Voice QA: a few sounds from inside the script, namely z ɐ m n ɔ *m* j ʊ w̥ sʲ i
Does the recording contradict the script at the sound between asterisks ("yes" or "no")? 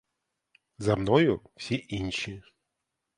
yes